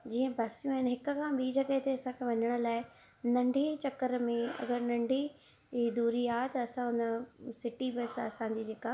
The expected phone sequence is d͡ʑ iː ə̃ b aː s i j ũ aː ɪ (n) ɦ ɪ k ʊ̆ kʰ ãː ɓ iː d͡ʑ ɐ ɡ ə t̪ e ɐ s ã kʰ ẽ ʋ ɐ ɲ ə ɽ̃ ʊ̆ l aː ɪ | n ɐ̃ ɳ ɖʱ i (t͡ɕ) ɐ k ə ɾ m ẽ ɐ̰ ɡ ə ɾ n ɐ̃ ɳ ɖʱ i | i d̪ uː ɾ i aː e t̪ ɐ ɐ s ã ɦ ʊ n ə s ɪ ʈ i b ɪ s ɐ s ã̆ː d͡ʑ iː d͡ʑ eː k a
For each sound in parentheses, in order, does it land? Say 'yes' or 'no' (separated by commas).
yes, yes